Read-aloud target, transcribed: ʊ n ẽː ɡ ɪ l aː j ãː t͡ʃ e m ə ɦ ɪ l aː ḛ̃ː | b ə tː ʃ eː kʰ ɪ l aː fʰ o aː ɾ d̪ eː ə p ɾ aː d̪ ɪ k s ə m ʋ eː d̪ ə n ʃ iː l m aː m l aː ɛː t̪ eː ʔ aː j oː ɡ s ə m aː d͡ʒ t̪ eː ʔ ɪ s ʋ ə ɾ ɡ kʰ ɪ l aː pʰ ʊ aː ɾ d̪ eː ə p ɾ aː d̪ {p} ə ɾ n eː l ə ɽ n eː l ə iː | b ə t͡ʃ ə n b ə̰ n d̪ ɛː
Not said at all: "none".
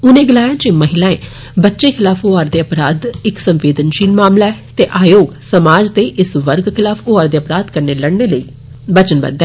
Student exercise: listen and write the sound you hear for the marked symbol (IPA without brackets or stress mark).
k